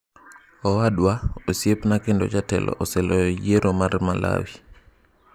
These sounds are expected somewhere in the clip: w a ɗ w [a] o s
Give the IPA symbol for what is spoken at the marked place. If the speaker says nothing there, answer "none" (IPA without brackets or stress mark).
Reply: a